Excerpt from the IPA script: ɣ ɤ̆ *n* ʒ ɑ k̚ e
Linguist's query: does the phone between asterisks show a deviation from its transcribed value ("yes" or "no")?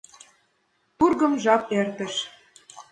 yes